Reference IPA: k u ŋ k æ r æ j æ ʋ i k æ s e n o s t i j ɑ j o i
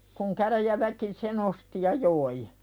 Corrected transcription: k u ŋ k æ r æ j æ ʋ æ k i s e n o s t i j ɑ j o i